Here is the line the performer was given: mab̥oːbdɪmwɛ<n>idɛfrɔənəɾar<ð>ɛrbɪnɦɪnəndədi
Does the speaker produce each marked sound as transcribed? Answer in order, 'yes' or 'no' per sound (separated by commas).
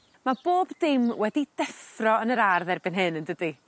no, yes